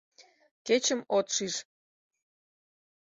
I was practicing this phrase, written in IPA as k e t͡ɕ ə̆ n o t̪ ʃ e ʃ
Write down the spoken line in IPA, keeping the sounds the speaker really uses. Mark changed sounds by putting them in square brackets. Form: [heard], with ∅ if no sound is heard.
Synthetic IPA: k e t͡ɕ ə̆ [m] o t̪ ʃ [i] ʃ